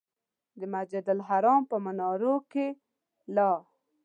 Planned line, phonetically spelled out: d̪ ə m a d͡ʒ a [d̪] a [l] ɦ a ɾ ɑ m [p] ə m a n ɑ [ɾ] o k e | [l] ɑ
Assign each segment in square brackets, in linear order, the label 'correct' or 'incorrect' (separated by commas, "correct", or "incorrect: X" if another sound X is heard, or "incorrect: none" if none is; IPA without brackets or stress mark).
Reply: correct, correct, correct, correct, correct